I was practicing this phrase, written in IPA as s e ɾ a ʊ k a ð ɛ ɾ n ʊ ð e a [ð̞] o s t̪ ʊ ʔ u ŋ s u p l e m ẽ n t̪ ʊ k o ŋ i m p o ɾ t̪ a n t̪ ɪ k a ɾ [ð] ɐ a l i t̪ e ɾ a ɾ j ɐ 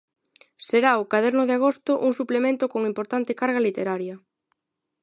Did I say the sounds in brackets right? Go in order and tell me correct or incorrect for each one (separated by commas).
incorrect, incorrect